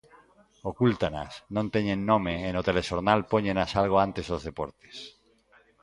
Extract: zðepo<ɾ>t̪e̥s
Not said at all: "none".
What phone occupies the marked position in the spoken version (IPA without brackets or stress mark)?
ɾ